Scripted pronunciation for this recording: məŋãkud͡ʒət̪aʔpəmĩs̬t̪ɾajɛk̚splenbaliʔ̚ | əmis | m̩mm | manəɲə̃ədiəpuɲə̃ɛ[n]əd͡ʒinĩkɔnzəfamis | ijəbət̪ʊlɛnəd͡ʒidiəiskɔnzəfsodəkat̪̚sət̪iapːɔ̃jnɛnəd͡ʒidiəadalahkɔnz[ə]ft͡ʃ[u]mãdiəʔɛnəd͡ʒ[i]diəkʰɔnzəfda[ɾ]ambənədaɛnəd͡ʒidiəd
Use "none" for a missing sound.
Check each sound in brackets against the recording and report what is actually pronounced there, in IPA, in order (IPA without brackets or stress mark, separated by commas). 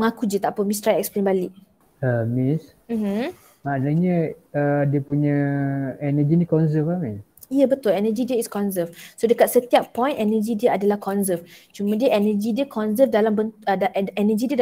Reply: n, ə, u, i, l